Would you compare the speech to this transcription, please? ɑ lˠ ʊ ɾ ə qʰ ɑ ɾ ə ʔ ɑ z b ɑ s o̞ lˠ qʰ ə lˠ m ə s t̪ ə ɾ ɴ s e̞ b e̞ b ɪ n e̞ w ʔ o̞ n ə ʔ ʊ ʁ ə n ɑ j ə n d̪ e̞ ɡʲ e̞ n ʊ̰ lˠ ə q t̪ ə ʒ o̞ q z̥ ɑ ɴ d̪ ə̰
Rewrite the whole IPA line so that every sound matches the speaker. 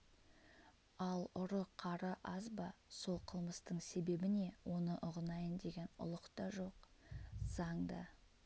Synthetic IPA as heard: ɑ lˠ ʊ ɾ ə qʰ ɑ ɾ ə ʔ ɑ z b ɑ s o̞ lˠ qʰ ə lˠ m ə s t̪ ə ɴ s e̞ b e̞ b ɪ n e̞ w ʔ o̞ n ə ʔ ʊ ʁ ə n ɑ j ə n d̪ e̞ ɡʲ e̞ n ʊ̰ lˠ ə q t̪ ɑ ʒ o̞ q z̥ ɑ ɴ d̪ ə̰